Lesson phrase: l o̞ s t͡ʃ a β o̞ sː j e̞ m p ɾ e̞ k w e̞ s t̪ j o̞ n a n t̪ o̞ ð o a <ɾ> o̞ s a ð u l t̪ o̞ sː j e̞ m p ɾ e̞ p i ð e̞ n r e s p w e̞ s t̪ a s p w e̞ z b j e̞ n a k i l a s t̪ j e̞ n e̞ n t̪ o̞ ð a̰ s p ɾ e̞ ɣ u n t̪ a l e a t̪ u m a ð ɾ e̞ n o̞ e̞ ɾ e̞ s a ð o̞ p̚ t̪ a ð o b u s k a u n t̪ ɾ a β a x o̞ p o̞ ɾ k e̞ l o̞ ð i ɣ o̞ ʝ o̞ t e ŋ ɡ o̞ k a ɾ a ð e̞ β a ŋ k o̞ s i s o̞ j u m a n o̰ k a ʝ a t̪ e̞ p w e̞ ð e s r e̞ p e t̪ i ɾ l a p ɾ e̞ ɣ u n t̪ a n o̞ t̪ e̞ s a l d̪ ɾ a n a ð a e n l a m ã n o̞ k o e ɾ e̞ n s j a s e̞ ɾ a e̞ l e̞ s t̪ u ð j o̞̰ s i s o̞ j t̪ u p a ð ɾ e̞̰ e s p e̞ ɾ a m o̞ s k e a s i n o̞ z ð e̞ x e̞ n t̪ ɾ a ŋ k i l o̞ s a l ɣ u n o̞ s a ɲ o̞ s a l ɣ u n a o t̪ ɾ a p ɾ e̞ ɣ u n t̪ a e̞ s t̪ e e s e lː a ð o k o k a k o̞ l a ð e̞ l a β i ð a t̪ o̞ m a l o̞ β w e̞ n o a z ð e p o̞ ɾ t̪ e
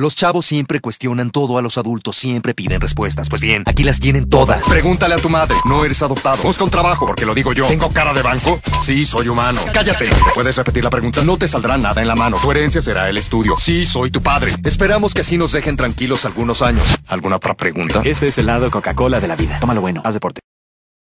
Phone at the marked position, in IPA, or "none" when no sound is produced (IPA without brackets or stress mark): l